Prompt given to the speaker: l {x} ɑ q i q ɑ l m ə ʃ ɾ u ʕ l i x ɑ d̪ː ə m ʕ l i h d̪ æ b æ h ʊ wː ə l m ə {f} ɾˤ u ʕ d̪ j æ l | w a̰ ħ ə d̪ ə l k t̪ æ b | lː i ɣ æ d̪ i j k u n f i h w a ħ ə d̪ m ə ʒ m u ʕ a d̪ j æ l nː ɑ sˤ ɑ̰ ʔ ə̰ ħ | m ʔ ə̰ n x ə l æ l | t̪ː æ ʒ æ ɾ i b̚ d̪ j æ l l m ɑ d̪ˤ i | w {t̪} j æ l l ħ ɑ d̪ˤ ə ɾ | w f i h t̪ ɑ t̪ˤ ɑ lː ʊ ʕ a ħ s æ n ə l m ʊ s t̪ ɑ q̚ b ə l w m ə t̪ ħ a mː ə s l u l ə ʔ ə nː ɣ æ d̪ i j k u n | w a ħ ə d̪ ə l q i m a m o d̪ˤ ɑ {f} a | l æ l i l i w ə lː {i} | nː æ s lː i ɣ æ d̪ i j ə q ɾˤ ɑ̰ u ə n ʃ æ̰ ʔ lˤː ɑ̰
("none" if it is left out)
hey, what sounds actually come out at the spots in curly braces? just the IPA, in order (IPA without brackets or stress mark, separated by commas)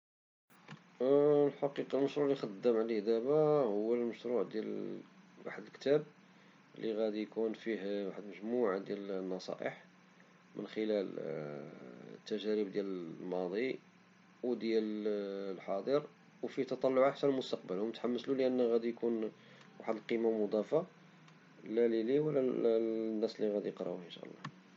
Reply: ħ, ʃ, d̪, f, æ